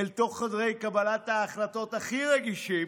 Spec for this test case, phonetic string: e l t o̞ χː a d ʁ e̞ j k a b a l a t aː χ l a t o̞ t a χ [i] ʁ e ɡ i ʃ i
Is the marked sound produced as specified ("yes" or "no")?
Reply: yes